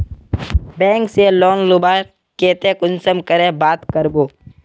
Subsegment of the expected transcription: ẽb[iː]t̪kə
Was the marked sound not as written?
yes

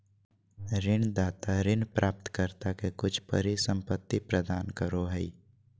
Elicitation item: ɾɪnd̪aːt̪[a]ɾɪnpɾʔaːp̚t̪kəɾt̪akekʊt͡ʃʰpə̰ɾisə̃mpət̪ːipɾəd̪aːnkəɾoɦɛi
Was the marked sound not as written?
no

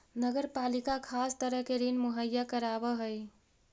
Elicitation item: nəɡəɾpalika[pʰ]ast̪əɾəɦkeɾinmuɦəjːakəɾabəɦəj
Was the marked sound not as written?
yes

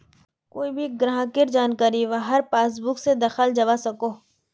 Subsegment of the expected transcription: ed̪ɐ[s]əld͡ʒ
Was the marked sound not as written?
yes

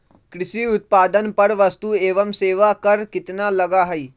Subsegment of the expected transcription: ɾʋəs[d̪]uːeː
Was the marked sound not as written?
yes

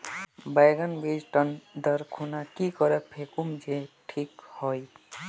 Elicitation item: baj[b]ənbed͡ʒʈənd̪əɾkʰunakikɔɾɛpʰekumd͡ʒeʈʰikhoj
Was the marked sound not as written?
yes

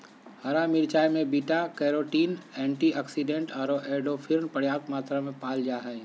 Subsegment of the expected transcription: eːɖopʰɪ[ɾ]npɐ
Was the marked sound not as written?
no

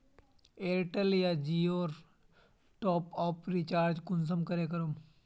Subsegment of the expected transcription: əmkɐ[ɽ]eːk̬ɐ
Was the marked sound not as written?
yes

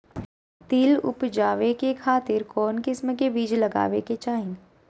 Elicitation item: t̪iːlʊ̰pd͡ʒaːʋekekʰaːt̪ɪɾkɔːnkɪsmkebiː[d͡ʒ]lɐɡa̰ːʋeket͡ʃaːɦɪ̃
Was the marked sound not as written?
no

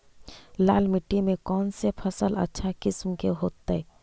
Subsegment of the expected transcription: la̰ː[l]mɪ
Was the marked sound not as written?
no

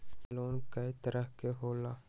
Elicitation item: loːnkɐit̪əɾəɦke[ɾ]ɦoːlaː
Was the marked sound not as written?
yes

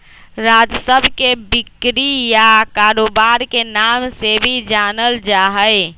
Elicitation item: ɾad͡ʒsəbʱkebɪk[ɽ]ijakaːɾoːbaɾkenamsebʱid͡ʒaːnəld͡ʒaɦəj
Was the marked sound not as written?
yes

